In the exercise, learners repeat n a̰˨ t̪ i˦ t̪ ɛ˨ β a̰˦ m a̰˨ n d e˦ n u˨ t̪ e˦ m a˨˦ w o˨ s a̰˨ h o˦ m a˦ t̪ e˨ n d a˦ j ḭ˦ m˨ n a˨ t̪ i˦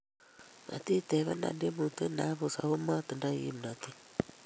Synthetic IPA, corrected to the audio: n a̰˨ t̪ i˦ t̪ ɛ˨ β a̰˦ n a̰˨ n d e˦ m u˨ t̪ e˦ n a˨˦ β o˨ s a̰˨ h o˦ m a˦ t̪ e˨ n d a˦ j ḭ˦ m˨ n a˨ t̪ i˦